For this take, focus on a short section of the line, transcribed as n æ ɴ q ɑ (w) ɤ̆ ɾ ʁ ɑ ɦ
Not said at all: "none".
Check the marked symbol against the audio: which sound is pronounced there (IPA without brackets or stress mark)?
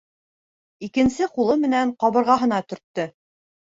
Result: β